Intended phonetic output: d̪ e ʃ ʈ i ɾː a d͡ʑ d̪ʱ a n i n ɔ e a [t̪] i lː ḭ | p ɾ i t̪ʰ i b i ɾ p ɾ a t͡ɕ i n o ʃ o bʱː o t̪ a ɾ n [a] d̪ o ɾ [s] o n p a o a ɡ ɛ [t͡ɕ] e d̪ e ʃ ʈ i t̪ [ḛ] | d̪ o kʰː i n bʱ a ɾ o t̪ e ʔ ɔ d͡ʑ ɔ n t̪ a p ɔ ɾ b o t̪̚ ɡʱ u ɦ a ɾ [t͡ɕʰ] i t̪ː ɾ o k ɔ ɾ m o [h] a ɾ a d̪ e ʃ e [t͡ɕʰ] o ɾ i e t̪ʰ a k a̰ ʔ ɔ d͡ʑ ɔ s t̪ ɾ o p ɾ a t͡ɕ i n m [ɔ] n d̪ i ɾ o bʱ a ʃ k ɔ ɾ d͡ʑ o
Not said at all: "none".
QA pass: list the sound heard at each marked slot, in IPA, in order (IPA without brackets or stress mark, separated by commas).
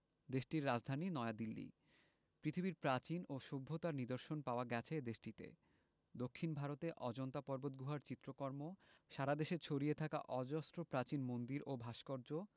d̪, i, ʃ, t͡ɕʰ, ḛ, t͡ɕ, ʃ, t͡ɕʰ, o